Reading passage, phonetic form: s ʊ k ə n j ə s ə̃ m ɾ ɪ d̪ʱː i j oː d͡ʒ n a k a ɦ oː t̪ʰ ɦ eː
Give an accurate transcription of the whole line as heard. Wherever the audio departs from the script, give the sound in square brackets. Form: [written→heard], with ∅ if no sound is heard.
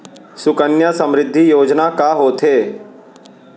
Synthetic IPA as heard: s ʊ k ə n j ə s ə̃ m ɾ ɪ d̪ʱː i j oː d͡ʒ n a k a ɦ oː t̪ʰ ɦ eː